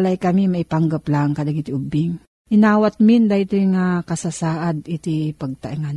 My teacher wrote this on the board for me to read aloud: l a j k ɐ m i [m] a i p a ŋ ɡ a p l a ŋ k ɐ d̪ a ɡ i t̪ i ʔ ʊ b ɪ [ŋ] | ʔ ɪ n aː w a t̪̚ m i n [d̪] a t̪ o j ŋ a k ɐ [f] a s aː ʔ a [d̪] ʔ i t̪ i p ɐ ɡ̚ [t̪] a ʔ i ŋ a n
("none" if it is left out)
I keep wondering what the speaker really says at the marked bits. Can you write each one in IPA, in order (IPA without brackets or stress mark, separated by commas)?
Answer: m, ŋ, d̪, s, d̪, t̪